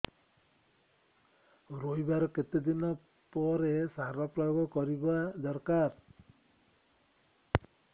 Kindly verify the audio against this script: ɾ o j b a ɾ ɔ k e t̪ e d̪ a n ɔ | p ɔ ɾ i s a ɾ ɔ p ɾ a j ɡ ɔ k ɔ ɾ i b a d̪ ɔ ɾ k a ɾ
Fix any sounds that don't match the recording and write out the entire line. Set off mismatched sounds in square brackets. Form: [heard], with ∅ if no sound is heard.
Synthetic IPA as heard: ɾ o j b a ɾ ɔ k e t̪ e d̪ [i] n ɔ | p ɔ ɾ [e] s a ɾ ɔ p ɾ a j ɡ ɔ k ɔ ɾ i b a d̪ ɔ ɾ k a ɾ